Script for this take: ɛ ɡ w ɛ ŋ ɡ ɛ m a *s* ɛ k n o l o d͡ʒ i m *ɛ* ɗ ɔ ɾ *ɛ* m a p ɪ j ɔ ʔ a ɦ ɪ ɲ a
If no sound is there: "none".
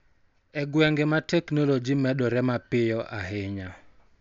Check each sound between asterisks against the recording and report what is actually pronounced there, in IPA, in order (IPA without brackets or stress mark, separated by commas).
t, ɛ, ɛ